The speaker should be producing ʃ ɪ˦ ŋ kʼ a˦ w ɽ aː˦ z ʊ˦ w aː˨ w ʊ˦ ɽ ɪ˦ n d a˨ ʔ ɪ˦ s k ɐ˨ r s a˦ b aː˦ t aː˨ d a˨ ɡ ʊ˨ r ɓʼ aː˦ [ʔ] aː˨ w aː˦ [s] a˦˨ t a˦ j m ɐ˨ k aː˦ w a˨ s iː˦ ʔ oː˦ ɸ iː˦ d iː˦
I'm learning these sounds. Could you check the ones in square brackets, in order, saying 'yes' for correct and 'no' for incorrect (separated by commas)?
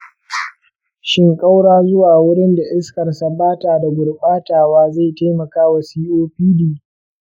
no, no